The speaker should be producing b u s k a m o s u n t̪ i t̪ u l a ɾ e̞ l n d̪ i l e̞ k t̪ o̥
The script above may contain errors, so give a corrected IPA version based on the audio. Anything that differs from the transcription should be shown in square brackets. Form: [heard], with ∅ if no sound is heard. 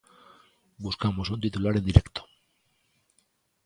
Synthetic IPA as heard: b u s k a m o s u n t̪ i t̪ u l a ɾ e̞ [∅] n d̪ i [ɾ] e̞ k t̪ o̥

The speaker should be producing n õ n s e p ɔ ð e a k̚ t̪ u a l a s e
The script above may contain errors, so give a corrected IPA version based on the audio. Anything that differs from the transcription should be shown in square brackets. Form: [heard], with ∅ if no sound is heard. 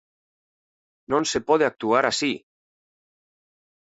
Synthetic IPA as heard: n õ n s e p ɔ ð e a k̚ t̪ u a [ɾ] a s [i]

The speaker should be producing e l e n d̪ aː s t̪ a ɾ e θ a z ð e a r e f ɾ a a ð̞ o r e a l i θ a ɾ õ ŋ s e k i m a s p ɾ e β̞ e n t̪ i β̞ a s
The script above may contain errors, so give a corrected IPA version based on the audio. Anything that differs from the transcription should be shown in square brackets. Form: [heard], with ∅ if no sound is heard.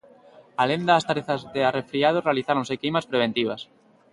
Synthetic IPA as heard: [a] l e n d̪ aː s t̪ a ɾ e θ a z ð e a r e f ɾ [i] a ð̞ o r e a l i θ a ɾ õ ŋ s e k i m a s p ɾ e β̞ e n t̪ i β̞ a s

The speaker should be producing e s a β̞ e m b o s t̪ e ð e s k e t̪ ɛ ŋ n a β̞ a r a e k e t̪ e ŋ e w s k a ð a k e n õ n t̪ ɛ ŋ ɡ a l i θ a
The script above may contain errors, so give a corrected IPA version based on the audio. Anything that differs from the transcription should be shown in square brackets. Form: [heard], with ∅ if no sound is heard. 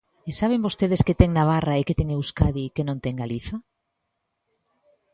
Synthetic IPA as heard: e s a β̞ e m b o s t̪ e ð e s k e t̪ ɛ ŋ n a β̞ a r a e k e t̪ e ŋ e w s k a ð [i] k e n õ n t̪ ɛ ŋ ɡ a l i θ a

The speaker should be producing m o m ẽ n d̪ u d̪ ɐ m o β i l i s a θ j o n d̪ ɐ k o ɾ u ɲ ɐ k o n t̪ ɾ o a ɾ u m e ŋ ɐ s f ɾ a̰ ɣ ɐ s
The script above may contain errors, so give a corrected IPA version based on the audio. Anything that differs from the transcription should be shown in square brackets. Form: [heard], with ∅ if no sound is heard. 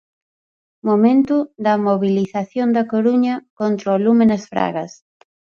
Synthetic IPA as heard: m o m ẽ n [t̪] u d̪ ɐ m o β i l i [θ] a θ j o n d̪ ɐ k o ɾ u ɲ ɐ k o n t̪ ɾ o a [l] u m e [n] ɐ s f ɾ a̰ ɣ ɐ s

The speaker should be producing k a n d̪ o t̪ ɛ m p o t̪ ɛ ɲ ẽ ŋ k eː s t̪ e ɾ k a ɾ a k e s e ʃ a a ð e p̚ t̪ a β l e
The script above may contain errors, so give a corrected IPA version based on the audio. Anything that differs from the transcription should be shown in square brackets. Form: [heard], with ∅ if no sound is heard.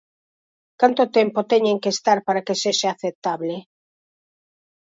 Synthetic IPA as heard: k a n [t̪] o t̪ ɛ m p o t̪ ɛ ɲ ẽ ŋ k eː s t̪ [a] ɾ [p] a ɾ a k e s e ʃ a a [θ] e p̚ t̪ a β l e

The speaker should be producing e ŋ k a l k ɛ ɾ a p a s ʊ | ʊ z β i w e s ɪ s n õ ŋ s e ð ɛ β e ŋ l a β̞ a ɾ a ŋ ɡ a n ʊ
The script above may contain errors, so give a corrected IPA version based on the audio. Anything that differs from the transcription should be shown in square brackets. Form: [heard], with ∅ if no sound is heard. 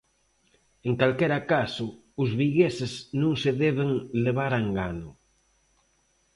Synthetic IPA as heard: e ŋ k a l k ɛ ɾ a [k] a s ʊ | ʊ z β i [ɣ] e s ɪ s n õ ŋ s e ð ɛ β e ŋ l [e] β̞ a ɾ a ŋ ɡ a n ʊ

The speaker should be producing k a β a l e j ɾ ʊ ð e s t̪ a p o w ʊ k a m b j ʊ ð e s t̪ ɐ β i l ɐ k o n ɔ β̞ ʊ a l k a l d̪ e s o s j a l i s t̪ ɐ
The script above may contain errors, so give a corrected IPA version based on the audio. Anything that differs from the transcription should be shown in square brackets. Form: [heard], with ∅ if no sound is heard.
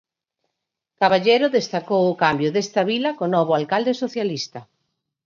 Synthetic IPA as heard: k a β a [ʎ] e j ɾ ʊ ð e s t̪ a [k] o w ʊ k a m b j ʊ ð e s t̪ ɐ β i l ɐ k o n ɔ β̞ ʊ a l k a l d̪ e s o [θ] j a l i s t̪ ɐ

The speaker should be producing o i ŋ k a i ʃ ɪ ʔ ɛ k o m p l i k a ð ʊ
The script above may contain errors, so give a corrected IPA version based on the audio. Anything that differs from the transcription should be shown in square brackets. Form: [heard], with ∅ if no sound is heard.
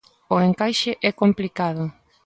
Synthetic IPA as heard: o [e] ŋ k a [j] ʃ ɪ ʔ ɛ k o m p l i k a ð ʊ

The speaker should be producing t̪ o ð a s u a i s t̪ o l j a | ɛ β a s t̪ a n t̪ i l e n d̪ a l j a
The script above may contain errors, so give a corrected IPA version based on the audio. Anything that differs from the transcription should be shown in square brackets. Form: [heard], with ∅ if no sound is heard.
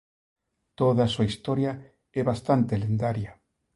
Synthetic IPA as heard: t̪ o ð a s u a i s t̪ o [ɾ] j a | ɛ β a s t̪ a n t̪ [e] l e n d̪ a [ɾ] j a

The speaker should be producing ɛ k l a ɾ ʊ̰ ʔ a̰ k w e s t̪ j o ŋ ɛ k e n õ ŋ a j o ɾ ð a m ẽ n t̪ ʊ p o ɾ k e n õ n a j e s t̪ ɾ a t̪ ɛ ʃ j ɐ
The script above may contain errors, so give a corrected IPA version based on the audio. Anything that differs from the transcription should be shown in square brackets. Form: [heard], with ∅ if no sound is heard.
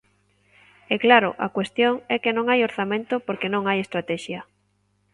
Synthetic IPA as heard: ɛ k l a ɾ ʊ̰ ʔ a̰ k w e s t̪ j o ŋ ɛ k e n õ ŋ a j o ɾ [θ] a m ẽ n t̪ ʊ p o ɾ k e n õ [ŋ] a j e s t̪ ɾ a t̪ ɛ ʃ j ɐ

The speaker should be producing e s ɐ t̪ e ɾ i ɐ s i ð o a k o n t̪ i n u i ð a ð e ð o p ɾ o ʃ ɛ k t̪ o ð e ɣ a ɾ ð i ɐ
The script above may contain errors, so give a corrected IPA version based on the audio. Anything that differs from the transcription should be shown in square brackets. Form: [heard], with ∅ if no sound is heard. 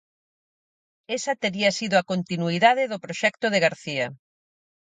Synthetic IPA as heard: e s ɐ t̪ e ɾ i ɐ s i ð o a k o n t̪ i n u i ð a ð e ð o p ɾ o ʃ ɛ k t̪ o ð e ɣ a ɾ [θ] i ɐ

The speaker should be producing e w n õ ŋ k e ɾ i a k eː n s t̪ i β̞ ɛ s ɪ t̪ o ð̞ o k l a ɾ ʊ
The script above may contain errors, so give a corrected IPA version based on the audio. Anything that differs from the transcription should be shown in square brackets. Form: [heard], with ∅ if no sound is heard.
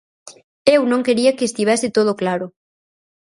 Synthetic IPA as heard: e w n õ ŋ k e ɾ i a k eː [∅] s t̪ i β̞ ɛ s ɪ t̪ o ð̞ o k l a ɾ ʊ

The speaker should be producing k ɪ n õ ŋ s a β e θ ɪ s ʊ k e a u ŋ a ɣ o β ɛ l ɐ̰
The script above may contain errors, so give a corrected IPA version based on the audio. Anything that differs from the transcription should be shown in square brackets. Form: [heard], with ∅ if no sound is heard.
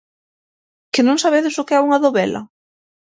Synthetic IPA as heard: k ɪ n õ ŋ s a β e [ð] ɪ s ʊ k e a u ŋ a [ð] o β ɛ l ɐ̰

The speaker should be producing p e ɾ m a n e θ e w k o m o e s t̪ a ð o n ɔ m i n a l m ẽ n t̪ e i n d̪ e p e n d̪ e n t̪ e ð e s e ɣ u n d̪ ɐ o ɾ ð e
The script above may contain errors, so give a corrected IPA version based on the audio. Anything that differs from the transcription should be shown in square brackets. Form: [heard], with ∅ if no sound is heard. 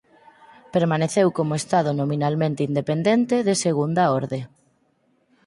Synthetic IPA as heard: p e ɾ m a n e θ e w k o m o e s t̪ a ð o n [o] m i n a l m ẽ n t̪ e i n d̪ e p e n d̪ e n t̪ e ð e s e ɣ u n d̪ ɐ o ɾ ð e

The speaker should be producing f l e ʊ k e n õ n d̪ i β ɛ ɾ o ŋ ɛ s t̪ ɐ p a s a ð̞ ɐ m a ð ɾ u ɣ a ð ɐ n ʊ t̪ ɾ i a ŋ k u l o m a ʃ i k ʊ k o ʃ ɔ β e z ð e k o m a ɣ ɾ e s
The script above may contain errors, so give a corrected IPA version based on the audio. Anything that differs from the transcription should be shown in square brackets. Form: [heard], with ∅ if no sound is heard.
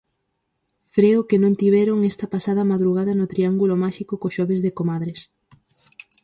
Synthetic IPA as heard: f [ɾ] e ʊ k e n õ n [t̪] i β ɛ ɾ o ŋ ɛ s t̪ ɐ p a s a ð̞ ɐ m a ð ɾ u ɣ a ð ɐ n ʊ t̪ ɾ i a ŋ [ɡ] u l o m a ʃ i k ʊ k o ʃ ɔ β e z ð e k o m a [ð] ɾ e s

